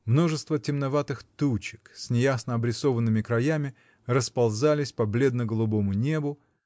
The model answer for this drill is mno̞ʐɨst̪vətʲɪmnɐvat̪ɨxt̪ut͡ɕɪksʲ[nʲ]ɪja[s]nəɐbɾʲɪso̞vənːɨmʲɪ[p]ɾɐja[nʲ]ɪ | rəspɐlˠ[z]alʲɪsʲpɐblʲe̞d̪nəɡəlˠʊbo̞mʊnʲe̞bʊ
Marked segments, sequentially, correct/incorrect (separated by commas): correct, correct, incorrect, incorrect, correct